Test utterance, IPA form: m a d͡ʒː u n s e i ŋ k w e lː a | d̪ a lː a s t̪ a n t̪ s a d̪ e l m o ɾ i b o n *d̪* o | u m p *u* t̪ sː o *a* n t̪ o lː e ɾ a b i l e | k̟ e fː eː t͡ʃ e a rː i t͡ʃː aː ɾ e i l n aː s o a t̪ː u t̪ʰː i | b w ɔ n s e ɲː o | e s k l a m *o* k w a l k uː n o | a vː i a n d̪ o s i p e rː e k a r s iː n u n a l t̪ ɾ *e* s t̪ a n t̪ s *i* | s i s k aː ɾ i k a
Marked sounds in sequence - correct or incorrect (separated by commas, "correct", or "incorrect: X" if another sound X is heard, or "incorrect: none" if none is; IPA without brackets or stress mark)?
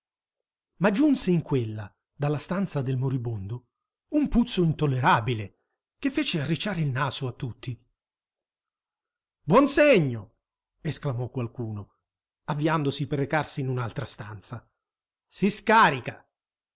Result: correct, correct, incorrect: i, incorrect: ɔ, incorrect: a, incorrect: a